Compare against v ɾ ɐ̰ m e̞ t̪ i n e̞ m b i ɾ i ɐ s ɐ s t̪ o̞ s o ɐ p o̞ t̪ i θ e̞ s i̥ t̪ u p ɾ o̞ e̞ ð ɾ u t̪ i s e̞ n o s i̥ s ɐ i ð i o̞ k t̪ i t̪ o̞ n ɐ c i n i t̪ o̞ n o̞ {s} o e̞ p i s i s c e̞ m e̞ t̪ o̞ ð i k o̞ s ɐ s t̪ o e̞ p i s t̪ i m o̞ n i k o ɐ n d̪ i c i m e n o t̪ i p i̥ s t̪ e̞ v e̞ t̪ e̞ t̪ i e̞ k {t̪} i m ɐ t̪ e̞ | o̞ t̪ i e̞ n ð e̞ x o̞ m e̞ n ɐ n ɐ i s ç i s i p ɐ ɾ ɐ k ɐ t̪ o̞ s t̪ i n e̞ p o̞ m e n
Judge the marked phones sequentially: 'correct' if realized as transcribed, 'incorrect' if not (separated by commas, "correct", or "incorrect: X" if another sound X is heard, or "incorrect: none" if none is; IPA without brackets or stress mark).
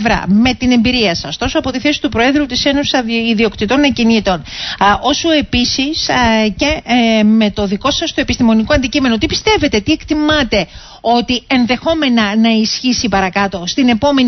correct, correct